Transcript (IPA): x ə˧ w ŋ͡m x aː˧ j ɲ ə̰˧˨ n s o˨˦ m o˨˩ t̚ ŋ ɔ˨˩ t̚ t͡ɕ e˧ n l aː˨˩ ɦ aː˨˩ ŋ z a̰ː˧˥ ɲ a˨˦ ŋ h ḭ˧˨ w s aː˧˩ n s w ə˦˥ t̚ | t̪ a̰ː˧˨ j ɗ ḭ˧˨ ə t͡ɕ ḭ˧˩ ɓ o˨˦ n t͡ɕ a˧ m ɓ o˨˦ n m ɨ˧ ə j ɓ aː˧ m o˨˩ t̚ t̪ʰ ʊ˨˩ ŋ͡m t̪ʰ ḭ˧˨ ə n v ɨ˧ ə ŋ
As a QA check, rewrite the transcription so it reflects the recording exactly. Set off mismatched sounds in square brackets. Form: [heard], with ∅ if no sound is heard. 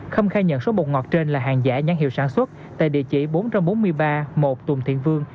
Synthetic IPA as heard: x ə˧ w ŋ͡m x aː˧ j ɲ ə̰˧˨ n s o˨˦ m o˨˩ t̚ ŋ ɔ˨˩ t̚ t͡ɕ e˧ n l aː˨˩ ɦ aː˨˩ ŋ z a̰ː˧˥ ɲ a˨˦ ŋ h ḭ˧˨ w s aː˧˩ n s w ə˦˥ t̚ | t̪ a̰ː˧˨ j ɗ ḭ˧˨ ə t͡ɕ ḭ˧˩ ɓ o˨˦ n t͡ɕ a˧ m ɓ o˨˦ n m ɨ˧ ə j ɓ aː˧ m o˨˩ t̚ [t̪] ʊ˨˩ ŋ͡m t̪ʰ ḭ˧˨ ə n v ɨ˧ ə ŋ